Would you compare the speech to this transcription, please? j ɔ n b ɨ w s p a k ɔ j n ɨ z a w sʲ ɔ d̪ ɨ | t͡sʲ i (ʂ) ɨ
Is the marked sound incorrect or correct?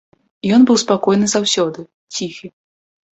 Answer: incorrect